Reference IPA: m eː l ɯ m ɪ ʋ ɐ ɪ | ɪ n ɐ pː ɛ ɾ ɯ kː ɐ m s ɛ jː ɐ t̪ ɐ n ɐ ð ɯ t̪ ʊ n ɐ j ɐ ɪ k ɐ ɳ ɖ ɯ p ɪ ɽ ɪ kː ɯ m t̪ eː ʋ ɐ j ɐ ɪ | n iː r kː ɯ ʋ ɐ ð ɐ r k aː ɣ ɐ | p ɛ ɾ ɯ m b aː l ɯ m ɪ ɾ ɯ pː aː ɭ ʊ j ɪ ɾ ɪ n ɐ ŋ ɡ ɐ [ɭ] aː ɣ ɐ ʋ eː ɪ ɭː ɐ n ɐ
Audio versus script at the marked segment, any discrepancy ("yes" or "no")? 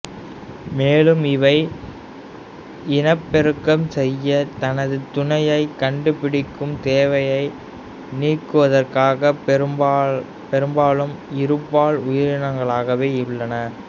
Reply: no